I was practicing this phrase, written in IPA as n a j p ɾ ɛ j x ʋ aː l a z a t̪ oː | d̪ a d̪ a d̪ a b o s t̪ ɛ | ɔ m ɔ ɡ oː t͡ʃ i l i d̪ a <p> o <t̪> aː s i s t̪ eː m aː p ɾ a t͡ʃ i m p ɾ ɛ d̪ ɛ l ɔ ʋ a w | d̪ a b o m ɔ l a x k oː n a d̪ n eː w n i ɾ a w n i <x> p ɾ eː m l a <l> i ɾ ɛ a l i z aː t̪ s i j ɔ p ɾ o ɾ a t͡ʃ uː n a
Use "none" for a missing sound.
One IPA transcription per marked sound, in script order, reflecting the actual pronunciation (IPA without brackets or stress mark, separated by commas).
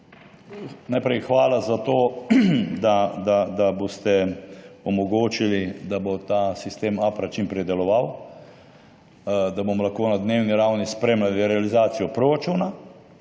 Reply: b, t̪, s, l